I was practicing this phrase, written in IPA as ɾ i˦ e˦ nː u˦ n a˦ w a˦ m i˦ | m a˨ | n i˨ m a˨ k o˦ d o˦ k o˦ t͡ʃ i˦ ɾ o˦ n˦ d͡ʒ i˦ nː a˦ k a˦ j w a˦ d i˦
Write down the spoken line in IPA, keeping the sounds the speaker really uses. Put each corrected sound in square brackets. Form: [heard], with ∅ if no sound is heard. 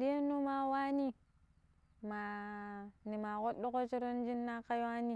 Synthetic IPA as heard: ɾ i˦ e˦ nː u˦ [m] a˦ w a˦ [n] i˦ | m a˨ | n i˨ m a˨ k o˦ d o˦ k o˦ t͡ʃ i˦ ɾ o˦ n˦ d͡ʒ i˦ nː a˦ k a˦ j w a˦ [n] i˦